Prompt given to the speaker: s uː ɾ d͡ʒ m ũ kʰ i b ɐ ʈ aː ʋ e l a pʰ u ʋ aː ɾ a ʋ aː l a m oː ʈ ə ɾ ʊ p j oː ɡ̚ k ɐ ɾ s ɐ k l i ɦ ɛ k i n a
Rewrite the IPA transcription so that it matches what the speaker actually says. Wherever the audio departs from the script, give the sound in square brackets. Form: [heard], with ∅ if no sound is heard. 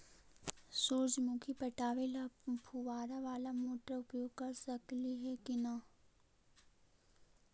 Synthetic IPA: s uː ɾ d͡ʒ m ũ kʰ i [p] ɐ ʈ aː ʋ e l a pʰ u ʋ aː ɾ a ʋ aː l a m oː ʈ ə ɾ ʊ p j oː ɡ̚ k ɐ ɾ s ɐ k l i ɦ ɛ k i n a